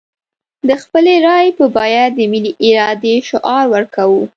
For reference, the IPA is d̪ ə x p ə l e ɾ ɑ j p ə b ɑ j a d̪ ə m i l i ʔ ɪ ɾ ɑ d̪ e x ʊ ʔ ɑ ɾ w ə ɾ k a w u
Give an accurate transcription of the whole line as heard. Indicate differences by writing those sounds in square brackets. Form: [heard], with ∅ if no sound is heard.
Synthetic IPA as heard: d̪ ə x p ə l e ɾ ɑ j p ə b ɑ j a d̪ ə m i l i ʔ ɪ ɾ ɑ d̪ e [ʃ] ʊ ʔ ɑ ɾ w ə ɾ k a w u